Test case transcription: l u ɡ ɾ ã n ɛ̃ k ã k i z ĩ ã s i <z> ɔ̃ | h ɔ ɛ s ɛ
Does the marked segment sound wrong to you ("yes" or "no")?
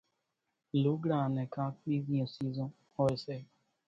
no